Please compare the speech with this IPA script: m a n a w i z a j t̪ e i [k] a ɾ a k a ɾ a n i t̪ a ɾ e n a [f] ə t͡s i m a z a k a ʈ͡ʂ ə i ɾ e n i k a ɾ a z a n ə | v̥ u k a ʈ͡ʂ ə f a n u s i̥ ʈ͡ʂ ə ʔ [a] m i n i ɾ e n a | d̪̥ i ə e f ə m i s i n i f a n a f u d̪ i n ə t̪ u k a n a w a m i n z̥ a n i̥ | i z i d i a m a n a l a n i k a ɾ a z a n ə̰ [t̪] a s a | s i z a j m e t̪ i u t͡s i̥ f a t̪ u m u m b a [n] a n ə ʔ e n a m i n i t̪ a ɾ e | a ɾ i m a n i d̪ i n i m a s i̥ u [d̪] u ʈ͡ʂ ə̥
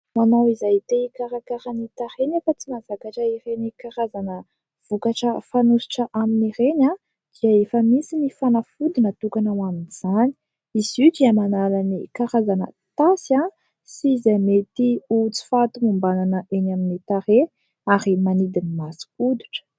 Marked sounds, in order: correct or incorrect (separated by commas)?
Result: correct, correct, correct, correct, correct, correct